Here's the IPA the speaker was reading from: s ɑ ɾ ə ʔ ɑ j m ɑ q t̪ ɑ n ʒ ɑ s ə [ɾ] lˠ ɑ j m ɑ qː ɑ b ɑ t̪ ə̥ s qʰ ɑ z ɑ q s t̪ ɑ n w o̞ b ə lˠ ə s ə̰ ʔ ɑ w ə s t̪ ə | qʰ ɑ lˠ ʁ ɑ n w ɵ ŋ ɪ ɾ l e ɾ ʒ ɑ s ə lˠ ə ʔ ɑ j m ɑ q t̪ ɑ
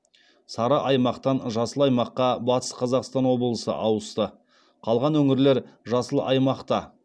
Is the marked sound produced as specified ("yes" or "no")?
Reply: no